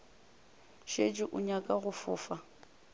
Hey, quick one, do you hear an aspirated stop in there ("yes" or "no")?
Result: no